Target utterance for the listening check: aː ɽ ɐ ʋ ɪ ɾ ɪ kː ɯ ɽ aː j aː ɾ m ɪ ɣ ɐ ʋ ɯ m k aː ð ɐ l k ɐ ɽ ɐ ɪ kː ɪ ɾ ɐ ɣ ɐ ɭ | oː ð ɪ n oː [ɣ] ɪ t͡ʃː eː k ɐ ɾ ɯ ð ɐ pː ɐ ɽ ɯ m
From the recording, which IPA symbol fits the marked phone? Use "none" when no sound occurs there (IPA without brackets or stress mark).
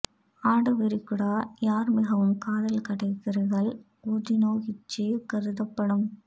ɣ